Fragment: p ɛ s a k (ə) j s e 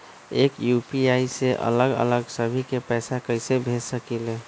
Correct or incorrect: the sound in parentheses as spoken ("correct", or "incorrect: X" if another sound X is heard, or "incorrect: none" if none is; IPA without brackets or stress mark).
correct